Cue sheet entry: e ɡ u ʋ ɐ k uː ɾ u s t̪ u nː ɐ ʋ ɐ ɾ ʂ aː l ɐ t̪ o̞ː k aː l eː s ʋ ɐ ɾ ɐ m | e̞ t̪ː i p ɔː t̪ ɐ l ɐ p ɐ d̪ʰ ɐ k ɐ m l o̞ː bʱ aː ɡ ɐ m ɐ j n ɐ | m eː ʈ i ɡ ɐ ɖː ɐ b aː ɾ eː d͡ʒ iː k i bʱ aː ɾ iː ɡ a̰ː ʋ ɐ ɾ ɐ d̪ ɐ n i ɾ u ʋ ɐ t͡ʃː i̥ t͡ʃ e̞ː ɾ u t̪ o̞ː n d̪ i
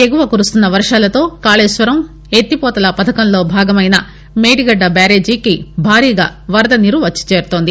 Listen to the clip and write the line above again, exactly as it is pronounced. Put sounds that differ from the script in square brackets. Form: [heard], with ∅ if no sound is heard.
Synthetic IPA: e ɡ u ʋ ɐ k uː ɾ u s t̪ u nː ɐ ʋ ɐ ɾ ʂ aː l ɐ t̪ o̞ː k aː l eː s ʋ ɐ ɾ ɐ m | e̞ t̪ː i p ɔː t̪ ɐ l ɐ p ɐ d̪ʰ ɐ k ɐ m l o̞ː bʱ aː ɡ ɐ m ɐ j n ɐ | m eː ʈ i ɡ ɐ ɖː ɐ b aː ɾ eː d͡ʒ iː k i bʱ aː ɾ iː ɡ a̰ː ʋ ɐ ɾ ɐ d̪ ɐ n i ɾ u ʋ ɐ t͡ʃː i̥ t͡ʃ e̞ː ɾ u t̪ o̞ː n d̪ i

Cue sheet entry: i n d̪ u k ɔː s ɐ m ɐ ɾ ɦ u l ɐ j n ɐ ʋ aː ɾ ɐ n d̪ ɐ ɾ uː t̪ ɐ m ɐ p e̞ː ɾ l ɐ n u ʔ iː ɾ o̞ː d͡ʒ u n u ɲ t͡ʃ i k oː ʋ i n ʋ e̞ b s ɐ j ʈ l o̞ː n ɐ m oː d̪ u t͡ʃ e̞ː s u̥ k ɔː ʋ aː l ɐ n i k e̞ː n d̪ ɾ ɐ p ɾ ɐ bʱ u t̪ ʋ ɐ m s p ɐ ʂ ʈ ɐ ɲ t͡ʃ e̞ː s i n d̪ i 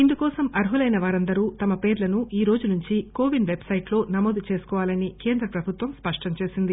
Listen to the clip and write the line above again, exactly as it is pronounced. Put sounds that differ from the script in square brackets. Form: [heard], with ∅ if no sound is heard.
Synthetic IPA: i n d̪ u k ɔː s ɐ m ɐ ɾ ɦ u l ɐ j n ɐ ʋ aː ɾ ɐ n d̪ ɐ ɾ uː t̪ ɐ m ɐ p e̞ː ɾ l ɐ n u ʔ iː ɾ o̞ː d͡ʒ u n u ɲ t͡ʃ i k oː ʋ i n ʋ e̞ b s ɐ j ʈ l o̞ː n ɐ m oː d̪ u t͡ʃ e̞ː s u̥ k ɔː ʋ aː l ɐ n i k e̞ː n d̪ ɾ ɐ p ɾ ɐ bʱ u t̪ ʋ ɐ m s p ɐ ʂ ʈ ɐ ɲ t͡ʃ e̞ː s i n d̪ i

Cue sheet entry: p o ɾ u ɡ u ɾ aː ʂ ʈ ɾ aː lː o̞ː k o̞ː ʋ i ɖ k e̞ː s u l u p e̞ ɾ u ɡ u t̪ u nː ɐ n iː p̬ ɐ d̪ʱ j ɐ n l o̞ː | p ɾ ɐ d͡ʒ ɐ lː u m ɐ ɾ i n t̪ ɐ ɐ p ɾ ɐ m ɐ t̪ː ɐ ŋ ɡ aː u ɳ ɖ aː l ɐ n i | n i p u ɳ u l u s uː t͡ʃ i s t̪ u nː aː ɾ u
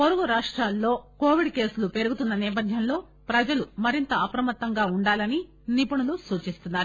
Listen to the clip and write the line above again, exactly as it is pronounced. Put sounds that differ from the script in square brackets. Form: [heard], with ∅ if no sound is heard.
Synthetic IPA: p o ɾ u ɡ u ɾ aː ʂ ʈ ɾ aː lː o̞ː k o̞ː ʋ i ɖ k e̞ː s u l u p e̞ ɾ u ɡ u t̪ u nː ɐ n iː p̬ ɐ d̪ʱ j ɐ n l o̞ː | p ɾ ɐ d͡ʒ ɐ [l] u m ɐ ɾ i n t̪ ɐ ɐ p ɾ ɐ m ɐ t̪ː ɐ ŋ ɡ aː u ɳ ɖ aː l ɐ n i | n i p u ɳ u l u s uː t͡ʃ i s t̪ u nː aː ɾ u

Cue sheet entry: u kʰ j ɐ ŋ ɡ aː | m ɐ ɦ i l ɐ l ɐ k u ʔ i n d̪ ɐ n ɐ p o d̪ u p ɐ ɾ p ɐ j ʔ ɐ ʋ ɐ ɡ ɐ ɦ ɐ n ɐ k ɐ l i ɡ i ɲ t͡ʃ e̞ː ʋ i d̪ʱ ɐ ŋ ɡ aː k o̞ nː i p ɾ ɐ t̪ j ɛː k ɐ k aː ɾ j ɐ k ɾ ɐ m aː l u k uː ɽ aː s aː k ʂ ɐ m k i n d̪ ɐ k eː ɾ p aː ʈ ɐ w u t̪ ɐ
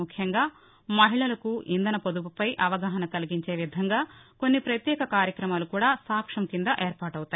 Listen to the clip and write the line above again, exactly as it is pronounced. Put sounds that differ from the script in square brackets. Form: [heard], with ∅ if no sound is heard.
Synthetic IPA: u kʰ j ɐ ŋ ɡ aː | m ɐ ɦ i [ɭ] ɐ l ɐ k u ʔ i n d̪ ɐ n ɐ p o d̪ u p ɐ [∅] p ɐ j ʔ ɐ ʋ ɐ ɡ ɐ ɦ ɐ n ɐ k ɐ l i ɡ i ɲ t͡ʃ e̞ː ʋ i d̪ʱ ɐ ŋ ɡ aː k o̞ nː i p ɾ ɐ t̪ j ɛː k ɐ k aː ɾ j ɐ k ɾ ɐ m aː l u k uː ɽ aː s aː k ʂ ɐ m k i n d̪ ɐ [ʔ] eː ɾ p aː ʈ ɐ w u t̪ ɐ

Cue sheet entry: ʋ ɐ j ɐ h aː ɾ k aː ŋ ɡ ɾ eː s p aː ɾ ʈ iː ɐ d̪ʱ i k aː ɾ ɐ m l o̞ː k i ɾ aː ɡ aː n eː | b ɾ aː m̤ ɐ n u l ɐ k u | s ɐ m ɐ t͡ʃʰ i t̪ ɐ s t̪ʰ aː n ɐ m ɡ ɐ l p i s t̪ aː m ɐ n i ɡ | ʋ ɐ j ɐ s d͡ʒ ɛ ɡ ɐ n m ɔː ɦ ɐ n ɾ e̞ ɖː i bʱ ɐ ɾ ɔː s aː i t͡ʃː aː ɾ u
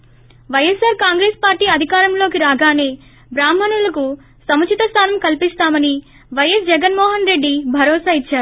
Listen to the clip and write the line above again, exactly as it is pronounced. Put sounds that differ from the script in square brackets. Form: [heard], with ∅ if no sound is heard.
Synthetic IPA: ʋ ɐ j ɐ [s] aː ɾ k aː ŋ ɡ ɾ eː s p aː ɾ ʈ iː ɐ d̪ʱ i k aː ɾ ɐ m l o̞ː k i ɾ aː ɡ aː n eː | b ɾ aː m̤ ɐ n u l ɐ k u | s ɐ m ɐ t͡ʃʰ i t̪ ɐ s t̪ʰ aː n ɐ m [k] ɐ l p i s t̪ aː m ɐ n i [∅] | ʋ ɐ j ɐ s d͡ʒ ɛ ɡ ɐ n m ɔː ɦ ɐ n ɾ e̞ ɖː i bʱ ɐ ɾ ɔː s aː i t͡ʃː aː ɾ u

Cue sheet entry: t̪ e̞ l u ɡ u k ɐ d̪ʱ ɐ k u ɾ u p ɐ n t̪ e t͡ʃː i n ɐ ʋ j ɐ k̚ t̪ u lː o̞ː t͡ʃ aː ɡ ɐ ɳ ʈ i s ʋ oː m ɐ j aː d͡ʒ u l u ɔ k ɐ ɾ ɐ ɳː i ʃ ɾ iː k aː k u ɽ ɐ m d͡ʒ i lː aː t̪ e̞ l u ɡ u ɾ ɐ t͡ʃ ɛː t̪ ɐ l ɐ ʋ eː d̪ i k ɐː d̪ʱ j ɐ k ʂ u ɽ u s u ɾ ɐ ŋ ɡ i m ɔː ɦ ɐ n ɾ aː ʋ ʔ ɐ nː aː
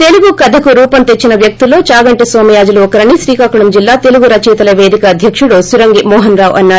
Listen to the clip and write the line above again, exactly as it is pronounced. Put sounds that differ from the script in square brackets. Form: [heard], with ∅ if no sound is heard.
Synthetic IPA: t̪ e̞ l u ɡ u k ɐ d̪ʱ ɐ k u ɾ [uː] p ɐ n t̪ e t͡ʃː i n ɐ ʋ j ɐ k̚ t̪ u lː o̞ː t͡ʃ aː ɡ ɐ ɳ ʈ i s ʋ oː m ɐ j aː d͡ʒ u l u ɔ k ɐ ɾ ɐ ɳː i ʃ ɾ iː k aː k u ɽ ɐ m d͡ʒ i lː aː t̪ e̞ l u ɡ u ɾ ɐ t͡ʃ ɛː t̪ ɐ l ɐ ʋ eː d̪ i k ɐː d̪ʱ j ɐ k ʂ u ɽ u s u ɾ ɐ ŋ ɡ i m ɔː ɦ ɐ n ɾ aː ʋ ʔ ɐ nː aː

